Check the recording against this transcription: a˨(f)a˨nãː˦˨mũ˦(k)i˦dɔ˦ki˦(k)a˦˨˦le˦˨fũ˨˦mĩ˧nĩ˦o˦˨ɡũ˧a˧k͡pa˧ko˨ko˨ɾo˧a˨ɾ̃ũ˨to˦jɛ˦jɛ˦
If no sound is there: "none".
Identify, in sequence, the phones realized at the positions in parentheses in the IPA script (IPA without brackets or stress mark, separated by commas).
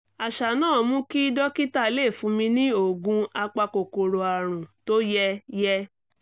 ʃ, k, t